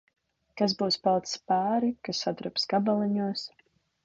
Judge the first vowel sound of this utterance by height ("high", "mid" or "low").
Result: low